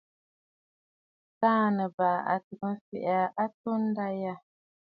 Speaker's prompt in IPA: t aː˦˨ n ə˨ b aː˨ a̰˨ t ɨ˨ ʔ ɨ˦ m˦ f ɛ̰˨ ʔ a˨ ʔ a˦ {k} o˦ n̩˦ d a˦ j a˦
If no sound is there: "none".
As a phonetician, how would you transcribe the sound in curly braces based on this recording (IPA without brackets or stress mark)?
t